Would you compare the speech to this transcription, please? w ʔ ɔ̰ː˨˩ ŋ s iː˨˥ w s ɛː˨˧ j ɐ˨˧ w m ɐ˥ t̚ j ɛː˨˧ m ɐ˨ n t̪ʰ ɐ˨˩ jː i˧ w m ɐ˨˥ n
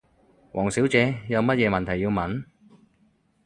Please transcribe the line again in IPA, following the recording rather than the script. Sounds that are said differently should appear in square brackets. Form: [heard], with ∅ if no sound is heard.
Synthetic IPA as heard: w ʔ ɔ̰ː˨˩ ŋ s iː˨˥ w [t͡s] ɛː˨˧ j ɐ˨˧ w m ɐ˥ t̚ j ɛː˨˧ m ɐ˨ n t̪ʰ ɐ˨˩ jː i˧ w m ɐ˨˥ n